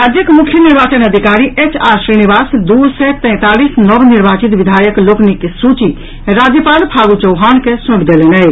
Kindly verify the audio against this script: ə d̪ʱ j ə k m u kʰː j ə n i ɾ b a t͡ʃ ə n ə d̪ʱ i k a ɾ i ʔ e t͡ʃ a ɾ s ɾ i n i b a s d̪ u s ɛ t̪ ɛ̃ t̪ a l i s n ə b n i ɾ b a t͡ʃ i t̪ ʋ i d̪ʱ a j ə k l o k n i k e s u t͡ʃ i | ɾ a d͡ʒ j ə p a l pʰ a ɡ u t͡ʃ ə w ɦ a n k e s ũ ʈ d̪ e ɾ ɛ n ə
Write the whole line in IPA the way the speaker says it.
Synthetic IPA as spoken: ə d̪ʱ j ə k m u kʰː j ə n i ɾ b a t͡ʃ ə n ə d̪ʱ i k a ɾ i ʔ e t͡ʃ a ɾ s ɾ i n i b a s d̪ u s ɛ t̪ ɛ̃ t̪ a l i s n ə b n i ɾ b a t͡ʃ i t̪ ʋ i d̪ʱ a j ə k l o k n i k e s u t͡ʃ i | ɾ a d͡ʒ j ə p a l pʰ a ɡ u t͡ʃ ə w ɦ a n k e s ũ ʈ d̪ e l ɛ n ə